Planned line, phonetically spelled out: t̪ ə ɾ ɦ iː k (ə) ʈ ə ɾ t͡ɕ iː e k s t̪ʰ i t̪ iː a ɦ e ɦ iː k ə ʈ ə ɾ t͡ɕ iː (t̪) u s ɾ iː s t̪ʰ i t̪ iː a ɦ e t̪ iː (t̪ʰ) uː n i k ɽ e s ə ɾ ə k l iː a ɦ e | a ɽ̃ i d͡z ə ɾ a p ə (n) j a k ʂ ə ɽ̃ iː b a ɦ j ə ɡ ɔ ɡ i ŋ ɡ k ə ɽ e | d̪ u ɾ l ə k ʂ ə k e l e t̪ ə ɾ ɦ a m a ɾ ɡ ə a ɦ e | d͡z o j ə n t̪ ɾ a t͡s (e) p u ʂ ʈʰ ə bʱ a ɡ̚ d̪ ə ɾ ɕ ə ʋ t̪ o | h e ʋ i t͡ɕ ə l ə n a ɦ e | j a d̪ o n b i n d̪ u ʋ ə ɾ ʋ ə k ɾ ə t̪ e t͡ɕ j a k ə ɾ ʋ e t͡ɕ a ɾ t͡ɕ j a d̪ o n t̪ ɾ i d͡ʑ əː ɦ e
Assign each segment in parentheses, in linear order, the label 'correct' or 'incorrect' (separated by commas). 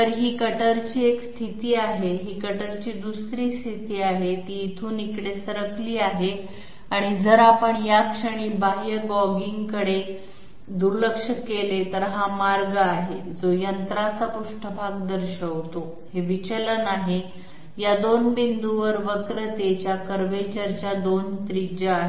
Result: correct, incorrect, correct, incorrect, incorrect